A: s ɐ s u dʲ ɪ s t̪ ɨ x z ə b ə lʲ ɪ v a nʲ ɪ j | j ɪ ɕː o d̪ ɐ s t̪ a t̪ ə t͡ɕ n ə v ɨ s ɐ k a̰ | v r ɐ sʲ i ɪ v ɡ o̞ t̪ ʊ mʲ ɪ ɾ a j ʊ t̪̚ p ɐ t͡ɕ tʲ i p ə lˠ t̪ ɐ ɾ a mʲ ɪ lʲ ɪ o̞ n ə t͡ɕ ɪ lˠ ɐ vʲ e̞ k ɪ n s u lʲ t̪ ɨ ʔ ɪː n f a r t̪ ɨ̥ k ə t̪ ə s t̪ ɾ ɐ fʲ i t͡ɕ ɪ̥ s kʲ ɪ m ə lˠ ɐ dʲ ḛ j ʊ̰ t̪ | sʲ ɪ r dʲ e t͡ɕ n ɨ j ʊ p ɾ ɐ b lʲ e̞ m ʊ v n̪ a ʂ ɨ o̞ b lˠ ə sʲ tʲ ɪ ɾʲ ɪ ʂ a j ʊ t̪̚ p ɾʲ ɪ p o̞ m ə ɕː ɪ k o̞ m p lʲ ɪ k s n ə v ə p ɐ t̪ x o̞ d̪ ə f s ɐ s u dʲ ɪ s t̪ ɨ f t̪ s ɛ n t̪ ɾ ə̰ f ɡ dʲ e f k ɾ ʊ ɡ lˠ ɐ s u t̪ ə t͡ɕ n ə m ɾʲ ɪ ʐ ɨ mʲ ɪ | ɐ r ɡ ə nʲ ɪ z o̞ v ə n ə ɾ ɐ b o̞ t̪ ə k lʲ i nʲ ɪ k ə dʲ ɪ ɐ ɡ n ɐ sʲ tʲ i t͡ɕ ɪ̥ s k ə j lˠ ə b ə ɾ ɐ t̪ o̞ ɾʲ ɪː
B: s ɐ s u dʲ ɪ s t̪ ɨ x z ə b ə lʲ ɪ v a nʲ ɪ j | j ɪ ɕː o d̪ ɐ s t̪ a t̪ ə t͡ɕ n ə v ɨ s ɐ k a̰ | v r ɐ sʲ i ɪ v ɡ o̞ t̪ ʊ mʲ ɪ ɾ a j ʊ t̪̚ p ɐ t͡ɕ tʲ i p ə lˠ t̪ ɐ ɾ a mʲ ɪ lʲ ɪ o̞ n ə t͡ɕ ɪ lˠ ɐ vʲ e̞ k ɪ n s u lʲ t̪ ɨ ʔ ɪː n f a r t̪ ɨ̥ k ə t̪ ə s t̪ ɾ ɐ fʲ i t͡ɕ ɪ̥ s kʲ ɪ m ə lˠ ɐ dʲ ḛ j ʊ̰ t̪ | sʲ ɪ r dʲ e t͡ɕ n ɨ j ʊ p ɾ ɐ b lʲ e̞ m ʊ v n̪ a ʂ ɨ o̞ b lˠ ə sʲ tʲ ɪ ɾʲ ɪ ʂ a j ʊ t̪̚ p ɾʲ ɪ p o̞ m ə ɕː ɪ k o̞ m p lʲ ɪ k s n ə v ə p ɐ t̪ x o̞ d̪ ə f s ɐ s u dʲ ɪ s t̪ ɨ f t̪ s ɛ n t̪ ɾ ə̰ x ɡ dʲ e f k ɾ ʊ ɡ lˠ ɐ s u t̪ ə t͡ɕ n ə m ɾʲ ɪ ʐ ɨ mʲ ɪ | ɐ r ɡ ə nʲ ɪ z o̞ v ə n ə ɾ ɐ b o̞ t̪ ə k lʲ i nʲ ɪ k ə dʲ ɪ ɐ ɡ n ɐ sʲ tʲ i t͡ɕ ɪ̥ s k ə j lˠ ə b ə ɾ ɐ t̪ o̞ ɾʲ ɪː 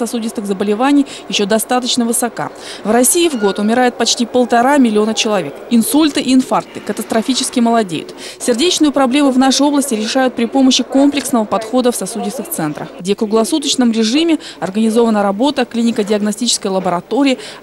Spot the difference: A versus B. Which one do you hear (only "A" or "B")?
B